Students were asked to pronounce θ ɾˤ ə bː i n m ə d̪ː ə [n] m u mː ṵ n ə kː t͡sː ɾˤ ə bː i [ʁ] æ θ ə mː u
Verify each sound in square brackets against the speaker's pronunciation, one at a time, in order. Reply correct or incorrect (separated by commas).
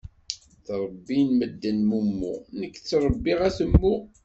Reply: correct, correct